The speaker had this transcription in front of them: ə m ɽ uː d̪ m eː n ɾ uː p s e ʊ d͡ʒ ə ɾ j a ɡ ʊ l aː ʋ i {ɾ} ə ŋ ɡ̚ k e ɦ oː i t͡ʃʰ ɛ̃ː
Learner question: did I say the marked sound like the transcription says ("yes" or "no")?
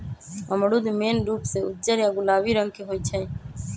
yes